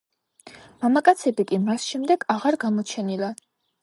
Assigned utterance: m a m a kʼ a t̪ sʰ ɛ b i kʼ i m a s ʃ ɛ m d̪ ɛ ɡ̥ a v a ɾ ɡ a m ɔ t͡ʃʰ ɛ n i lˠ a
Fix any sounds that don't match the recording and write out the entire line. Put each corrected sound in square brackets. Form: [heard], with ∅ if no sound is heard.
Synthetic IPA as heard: m a m a kʼ a t̪ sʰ ɛ b i kʼ i m a s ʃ ɛ m d̪ ɛ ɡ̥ a [ʁ] a ɾ ɡ a m ɔ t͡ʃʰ ɛ n i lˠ a